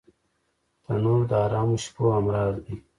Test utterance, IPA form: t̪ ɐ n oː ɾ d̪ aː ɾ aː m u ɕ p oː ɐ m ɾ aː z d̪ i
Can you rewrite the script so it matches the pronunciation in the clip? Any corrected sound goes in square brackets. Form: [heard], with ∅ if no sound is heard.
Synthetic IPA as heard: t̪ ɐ n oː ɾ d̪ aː ɾ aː m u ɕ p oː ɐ m ɾ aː z d̪ i